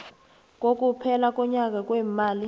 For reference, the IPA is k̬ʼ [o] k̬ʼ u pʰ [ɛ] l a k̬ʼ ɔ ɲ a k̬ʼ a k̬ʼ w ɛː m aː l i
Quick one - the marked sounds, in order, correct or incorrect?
correct, correct

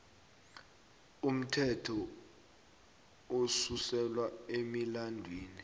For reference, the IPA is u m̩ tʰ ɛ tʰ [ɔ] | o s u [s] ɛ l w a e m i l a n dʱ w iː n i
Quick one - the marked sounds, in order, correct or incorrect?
correct, correct

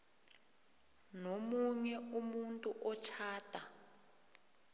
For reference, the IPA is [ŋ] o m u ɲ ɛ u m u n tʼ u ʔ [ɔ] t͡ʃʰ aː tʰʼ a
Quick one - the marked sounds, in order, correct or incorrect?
incorrect: n, correct

